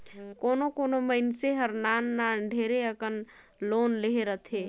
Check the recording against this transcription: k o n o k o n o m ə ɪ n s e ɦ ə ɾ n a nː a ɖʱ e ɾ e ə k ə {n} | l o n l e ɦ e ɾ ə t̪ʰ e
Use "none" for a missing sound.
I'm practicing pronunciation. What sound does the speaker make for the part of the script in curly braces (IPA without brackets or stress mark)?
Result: n